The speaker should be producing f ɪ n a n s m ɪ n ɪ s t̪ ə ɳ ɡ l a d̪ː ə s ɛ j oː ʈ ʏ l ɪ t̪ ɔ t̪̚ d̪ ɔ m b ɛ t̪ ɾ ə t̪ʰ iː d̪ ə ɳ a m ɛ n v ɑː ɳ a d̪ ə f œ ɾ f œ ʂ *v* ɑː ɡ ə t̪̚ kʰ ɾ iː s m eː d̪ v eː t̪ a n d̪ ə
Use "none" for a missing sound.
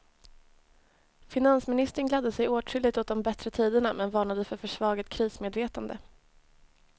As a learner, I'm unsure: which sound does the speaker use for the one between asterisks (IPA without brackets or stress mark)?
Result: v